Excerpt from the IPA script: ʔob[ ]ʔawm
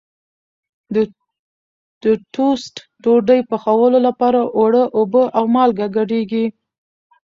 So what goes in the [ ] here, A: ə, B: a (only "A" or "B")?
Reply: A